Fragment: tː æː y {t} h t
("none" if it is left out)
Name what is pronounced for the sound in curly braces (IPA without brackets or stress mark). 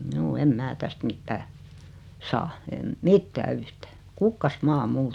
none